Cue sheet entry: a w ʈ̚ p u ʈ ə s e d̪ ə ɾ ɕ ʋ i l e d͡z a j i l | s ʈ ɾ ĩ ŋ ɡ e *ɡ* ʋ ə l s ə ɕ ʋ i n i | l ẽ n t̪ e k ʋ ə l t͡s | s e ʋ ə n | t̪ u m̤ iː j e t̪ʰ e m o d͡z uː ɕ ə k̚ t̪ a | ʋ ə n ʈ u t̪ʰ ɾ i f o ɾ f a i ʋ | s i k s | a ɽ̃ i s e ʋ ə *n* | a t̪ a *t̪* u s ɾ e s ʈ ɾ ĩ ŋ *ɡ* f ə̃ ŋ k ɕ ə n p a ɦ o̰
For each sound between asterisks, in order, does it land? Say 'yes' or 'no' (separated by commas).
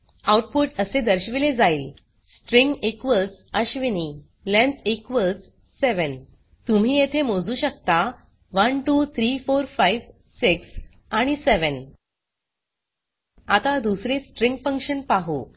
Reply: no, yes, no, yes